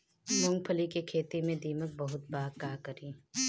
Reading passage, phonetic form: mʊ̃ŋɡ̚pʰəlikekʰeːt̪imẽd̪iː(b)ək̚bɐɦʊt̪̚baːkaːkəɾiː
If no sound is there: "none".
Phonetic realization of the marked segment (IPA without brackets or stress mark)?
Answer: m